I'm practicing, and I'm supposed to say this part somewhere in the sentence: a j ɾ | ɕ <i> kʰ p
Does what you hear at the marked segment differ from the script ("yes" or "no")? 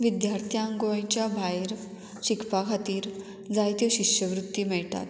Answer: no